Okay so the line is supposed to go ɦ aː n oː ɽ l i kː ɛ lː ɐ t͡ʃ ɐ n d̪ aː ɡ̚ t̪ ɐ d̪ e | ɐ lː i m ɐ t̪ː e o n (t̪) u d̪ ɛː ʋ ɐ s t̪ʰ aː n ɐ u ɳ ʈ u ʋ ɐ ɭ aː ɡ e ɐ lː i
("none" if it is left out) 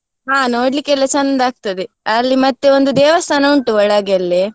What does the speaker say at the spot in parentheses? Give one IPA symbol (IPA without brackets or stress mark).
d̪